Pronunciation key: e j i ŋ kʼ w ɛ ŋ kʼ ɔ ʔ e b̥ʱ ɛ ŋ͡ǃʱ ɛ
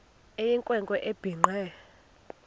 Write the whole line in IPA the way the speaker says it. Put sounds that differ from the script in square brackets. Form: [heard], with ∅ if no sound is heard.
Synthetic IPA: e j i ŋ kʼ w ɛ ŋ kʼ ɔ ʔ e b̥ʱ [i] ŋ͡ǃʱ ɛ